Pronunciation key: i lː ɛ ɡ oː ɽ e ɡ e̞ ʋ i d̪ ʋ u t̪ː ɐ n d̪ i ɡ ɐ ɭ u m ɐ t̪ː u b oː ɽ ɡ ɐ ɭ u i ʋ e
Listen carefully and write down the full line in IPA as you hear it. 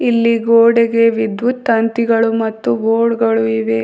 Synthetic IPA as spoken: i lː i ɡ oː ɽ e ɡ e̞ ʋ i d̪ ʋ u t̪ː ɐ n t̪ i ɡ ɐ ɭ u m ɐ t̪ː u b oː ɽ ɡ ɐ ɭ u i ʋ e